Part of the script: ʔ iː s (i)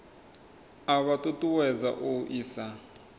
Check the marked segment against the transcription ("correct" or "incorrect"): incorrect